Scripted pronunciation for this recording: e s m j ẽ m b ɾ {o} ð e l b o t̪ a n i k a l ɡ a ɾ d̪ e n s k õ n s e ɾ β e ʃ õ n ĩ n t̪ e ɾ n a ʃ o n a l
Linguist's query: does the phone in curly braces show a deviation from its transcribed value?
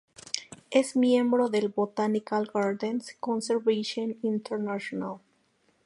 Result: no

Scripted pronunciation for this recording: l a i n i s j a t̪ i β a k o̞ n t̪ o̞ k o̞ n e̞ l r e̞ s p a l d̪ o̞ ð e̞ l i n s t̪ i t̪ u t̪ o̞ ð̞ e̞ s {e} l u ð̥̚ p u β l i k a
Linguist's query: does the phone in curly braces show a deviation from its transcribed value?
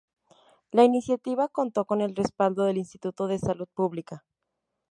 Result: yes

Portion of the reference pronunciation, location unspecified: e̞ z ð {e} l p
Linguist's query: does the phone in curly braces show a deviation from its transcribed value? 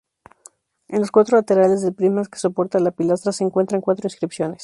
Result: no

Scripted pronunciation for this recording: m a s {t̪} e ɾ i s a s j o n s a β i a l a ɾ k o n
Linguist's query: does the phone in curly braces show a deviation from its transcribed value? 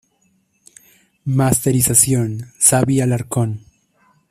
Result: no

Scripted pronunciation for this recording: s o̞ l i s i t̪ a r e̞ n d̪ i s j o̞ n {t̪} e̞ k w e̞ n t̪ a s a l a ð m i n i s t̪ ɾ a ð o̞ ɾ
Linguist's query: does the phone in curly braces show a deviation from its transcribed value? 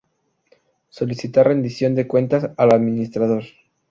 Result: yes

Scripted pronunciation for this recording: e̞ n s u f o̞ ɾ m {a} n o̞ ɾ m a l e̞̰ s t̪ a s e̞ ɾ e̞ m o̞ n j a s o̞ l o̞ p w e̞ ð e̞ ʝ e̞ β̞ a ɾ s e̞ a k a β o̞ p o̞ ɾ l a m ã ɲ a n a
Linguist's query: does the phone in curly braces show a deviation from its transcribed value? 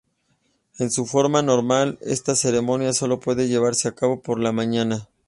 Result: no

